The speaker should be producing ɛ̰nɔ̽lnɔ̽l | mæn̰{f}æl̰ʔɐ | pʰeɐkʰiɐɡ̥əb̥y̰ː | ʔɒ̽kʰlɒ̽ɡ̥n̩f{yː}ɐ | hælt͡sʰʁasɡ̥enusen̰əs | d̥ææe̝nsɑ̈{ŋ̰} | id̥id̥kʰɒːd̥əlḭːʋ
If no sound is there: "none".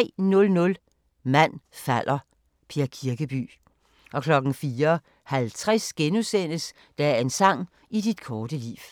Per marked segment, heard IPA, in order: f, iː, ŋ̰

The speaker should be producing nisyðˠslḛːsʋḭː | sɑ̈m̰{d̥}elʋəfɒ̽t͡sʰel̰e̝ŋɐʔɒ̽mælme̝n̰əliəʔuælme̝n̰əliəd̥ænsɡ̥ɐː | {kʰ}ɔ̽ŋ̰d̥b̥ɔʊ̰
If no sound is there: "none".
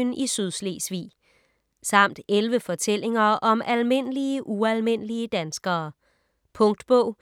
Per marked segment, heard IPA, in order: d̥, pʰ

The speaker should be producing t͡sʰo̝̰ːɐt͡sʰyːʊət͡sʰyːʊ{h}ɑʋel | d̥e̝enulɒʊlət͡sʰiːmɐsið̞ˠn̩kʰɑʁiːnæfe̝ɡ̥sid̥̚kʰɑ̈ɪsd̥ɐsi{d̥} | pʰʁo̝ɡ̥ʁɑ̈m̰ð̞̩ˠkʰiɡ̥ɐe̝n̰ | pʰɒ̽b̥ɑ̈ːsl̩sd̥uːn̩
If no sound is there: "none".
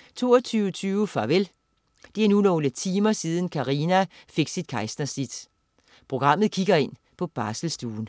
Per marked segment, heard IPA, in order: f, d̥

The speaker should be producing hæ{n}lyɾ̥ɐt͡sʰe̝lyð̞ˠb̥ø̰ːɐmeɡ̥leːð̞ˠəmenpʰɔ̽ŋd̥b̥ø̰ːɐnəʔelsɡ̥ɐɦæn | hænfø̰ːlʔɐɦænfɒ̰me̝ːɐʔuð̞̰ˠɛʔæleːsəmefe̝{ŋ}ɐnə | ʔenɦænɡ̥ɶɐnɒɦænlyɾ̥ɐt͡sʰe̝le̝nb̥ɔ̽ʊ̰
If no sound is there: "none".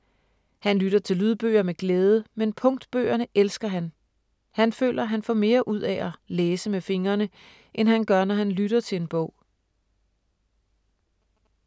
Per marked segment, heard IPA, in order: n, ŋ

